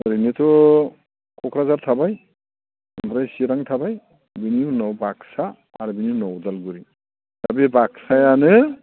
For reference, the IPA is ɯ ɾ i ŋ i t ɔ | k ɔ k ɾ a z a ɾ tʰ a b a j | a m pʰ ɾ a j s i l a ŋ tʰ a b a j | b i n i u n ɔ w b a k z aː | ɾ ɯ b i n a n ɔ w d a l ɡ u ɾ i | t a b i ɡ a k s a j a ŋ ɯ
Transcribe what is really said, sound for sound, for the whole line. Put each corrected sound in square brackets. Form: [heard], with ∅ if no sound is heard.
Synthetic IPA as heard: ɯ ɾ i [n] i t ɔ | k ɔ k ɾ a z a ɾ tʰ a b a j | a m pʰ ɾ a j s i [ɾ] a ŋ tʰ a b a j | b i n i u n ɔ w b a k [s] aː | ɾ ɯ b i n [i] n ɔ w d a l ɡ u ɾ i | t a b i [b] a k s a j a [n] ɯ

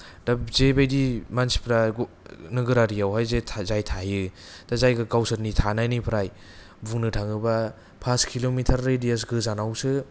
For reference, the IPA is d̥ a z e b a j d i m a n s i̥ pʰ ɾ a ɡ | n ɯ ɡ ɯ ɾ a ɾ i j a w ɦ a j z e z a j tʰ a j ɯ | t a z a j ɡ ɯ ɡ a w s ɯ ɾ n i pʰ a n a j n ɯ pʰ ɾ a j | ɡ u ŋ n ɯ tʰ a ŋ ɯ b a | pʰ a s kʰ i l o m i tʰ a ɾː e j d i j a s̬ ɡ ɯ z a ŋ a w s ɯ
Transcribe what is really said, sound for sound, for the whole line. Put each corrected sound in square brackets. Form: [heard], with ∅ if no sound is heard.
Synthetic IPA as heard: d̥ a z e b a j d i m a n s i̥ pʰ ɾ a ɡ | n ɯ ɡ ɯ ɾ a ɾ i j a w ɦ a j z e z a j tʰ a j ɯ | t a z a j ɡ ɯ ɡ a w s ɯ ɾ n i [tʰ] a n a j n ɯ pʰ ɾ a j | [b] u ŋ n ɯ tʰ a ŋ ɯ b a | pʰ a s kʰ i l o m i tʰ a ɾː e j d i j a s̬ ɡ ɯ z a [n] a w s ɯ

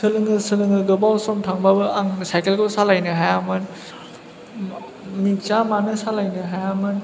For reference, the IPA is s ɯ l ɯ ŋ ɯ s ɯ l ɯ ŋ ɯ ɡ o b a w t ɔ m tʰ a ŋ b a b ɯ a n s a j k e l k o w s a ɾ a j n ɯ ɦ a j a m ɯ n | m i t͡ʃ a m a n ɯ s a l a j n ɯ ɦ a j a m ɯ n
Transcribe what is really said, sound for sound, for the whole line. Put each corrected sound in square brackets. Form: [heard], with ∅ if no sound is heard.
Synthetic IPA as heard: s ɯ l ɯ ŋ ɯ s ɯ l ɯ ŋ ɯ ɡ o b a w [s] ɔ m tʰ a ŋ b a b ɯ a [ŋ] s a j k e l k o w s a [l] a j n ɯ ɦ a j a m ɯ n | m i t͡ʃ a m a n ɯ s a l a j n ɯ ɦ a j a m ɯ n

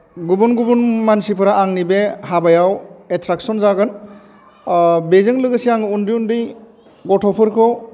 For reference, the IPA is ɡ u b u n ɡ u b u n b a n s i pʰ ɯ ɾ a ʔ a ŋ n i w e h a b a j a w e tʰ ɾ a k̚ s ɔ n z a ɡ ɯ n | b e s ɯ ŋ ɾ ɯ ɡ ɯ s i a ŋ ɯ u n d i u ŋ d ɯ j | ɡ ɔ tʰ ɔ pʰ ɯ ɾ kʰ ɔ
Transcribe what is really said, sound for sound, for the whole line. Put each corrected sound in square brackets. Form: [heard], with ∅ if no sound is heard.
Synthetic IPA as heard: ɡ u b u n ɡ u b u n [m] a n s i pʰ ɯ ɾ a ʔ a ŋ n i [b] e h a b a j a w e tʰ ɾ a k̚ s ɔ n z a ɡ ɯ n | b e [z] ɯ ŋ [l] ɯ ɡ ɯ s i a ŋ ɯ u n d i u [n] d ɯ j | ɡ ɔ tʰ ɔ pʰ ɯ ɾ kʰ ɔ

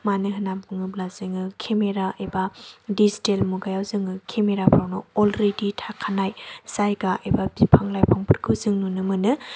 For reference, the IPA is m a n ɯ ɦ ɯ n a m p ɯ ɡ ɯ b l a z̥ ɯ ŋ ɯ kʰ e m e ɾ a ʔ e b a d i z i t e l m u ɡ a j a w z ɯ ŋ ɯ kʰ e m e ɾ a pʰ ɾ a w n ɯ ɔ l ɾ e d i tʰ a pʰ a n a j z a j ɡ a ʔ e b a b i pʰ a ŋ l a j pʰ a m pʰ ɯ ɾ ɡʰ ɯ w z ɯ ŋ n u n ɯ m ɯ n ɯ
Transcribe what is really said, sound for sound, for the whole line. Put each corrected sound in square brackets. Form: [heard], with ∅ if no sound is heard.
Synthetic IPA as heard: m a n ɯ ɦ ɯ n a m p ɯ [ŋ] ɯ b l a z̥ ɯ ŋ ɯ kʰ e m e ɾ a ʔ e b a d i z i t e l m u ɡ a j a w z ɯ ŋ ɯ kʰ e m e ɾ a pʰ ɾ a w n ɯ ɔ l ɾ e d i tʰ a [kʰ] a n a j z a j ɡ a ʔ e b a b i pʰ a ŋ l a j pʰ a [ŋ] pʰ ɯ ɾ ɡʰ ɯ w z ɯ ŋ n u n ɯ m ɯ n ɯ

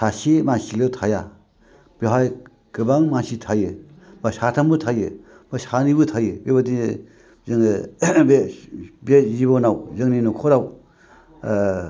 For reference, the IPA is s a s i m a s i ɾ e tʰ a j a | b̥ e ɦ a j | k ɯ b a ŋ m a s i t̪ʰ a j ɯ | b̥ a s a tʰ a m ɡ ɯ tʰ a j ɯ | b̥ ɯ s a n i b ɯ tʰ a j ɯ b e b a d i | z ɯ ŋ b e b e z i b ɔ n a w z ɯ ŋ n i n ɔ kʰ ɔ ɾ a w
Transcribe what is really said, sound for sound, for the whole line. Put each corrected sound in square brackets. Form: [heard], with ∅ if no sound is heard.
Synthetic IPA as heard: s a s i m a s i [l] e tʰ a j a | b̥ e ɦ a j | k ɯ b a ŋ m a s i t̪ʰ a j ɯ | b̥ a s a tʰ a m [b] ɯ tʰ a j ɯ | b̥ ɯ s a n i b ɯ tʰ a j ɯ b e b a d i | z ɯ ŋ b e b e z i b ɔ n a w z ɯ ŋ n i n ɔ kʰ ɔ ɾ a w

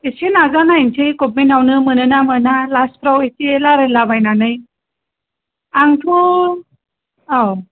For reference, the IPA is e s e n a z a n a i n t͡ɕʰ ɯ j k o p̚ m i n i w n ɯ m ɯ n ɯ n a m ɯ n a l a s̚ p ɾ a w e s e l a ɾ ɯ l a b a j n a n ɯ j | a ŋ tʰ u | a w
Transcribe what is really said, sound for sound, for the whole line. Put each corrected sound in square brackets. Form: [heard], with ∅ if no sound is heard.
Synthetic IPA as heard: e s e n a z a n a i n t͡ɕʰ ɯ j k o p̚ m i n [a] w n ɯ m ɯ n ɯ n a m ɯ n a l a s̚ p ɾ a w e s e l a ɾ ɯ l a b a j n a n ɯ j | a ŋ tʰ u | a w

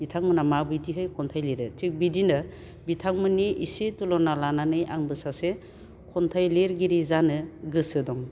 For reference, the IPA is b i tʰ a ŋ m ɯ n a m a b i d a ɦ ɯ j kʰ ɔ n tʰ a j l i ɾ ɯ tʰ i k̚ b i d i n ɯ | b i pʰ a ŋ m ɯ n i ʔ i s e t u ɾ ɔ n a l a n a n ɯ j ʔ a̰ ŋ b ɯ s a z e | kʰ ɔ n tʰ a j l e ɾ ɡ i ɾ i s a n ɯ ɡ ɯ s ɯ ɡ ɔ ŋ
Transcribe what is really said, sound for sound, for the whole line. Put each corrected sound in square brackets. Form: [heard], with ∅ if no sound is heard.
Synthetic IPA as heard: b i tʰ a ŋ m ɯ n a m a b i d [i] ɦ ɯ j kʰ ɔ n tʰ a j l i ɾ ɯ tʰ i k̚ b i d i n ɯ | b i [tʰ] a ŋ m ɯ n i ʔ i s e t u [l] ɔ n a l a n a n ɯ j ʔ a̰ ŋ b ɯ s a [s] e | kʰ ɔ n tʰ a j l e ɾ ɡ i ɾ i [z] a n ɯ ɡ ɯ s ɯ [d] ɔ ŋ

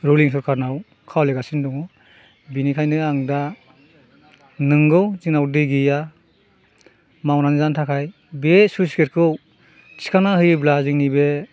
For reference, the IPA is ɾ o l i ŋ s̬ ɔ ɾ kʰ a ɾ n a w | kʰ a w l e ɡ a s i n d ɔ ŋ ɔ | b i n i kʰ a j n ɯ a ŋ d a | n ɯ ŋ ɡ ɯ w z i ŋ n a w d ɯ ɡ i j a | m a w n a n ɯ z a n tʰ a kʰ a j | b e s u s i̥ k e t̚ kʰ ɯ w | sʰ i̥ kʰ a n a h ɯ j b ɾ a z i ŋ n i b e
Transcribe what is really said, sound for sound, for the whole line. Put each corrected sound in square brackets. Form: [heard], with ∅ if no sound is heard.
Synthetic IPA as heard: ɾ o l i ŋ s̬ ɔ ɾ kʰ a ɾ n a w | kʰ a w l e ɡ a s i n d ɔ ŋ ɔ | b i n i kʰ a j n ɯ a ŋ d a | n ɯ ŋ ɡ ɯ w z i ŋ n a w d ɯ ɡ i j a | m a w n a n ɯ z a n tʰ a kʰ a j | b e s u s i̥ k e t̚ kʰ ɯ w | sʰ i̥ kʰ a n a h ɯ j b [l] a z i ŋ n i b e

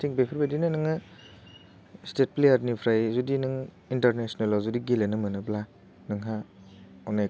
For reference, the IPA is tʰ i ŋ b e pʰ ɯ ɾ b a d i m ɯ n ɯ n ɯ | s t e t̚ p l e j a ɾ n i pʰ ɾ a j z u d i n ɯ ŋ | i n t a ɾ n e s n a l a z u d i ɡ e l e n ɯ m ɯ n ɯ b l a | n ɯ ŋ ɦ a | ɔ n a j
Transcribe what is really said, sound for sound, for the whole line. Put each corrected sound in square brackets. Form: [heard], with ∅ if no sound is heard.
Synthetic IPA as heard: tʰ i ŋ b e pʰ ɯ ɾ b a d i [n] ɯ n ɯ [ŋ] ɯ | s t e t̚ p l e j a ɾ n i pʰ ɾ a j z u d i n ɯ ŋ | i n t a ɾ n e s n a l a z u d i ɡ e l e n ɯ m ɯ n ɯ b l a | n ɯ ŋ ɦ a | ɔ n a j

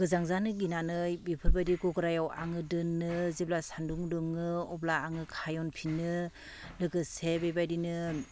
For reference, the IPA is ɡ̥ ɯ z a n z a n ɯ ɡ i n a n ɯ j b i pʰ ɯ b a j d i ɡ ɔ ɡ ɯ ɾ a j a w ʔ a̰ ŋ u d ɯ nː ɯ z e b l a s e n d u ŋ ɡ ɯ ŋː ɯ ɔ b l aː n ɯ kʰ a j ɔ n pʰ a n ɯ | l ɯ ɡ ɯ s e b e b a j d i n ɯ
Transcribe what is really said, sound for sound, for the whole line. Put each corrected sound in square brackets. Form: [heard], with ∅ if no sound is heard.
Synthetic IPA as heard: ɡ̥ ɯ z a [ŋ] z a n ɯ ɡ i n a n ɯ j b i pʰ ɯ b a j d i ɡ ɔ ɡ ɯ ɾ a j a w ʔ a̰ ŋ [ɯ] d ɯ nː ɯ z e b l a s [a] n d u ŋ [d] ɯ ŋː ɯ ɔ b l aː [ŋ] ɯ kʰ a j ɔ n pʰ [i] n ɯ | l ɯ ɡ ɯ s e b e b a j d i n ɯ

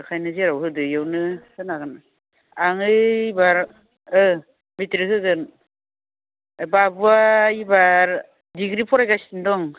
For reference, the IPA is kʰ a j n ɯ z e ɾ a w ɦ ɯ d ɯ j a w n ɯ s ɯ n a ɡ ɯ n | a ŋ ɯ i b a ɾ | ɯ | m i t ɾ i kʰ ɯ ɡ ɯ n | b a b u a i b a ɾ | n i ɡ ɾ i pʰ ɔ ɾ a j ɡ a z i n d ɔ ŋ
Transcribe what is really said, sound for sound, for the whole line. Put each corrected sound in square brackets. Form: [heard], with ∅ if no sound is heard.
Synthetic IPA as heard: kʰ a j n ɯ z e ɾ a w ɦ ɯ d ɯ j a w n ɯ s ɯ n a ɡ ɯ n | a ŋ ɯ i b a ɾ | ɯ | m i t ɾ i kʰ ɯ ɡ ɯ n | b a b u a i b a ɾ | [d] i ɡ ɾ i pʰ ɔ ɾ a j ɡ a [s] i n d ɔ ŋ

